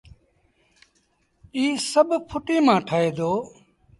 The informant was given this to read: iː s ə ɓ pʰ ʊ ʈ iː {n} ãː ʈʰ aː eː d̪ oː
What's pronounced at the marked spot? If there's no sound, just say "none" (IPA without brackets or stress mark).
m